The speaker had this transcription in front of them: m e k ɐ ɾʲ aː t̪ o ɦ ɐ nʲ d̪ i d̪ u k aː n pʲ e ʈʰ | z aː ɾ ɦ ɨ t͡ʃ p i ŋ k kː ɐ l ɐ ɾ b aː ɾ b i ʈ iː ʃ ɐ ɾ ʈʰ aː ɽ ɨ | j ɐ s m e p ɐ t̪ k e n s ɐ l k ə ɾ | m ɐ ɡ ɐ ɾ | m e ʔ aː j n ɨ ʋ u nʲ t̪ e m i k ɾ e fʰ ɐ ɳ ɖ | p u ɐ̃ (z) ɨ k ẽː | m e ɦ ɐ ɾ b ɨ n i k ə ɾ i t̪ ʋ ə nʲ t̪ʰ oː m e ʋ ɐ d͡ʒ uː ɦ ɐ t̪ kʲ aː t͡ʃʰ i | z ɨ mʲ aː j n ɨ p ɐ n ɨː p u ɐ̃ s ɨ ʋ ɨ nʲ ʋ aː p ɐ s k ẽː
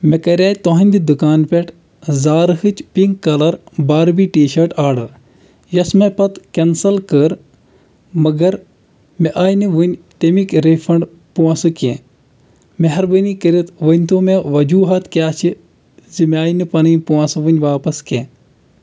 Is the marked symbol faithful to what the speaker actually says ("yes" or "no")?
no